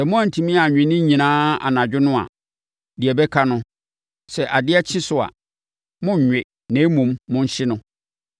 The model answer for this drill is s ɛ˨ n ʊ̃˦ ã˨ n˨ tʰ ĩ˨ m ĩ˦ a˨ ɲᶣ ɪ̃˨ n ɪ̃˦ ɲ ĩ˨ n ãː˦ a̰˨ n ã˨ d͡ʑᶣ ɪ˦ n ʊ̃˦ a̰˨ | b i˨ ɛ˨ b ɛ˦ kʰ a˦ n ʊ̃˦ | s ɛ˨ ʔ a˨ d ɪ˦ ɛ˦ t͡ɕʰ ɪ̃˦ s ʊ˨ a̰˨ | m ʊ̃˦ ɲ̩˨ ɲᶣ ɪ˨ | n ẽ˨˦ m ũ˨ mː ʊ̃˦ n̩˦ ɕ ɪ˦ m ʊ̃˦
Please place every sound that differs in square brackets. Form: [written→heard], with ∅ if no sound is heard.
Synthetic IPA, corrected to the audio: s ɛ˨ [n→m] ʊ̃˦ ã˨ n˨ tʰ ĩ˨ m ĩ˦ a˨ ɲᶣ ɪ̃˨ n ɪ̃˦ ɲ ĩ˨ n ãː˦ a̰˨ n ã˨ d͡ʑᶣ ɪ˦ n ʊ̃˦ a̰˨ | [b→d] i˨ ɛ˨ b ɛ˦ kʰ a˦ n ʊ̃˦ | s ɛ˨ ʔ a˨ d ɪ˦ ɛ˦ t͡ɕʰ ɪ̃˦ s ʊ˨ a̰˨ | m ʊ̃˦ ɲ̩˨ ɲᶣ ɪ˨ | n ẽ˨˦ m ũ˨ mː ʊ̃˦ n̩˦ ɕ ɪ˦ [m→n] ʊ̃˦